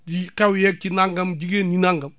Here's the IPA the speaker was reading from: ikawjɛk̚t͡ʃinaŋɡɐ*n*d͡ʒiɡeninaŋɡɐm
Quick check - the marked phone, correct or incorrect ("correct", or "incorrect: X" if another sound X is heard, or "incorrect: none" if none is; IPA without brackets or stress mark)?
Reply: incorrect: m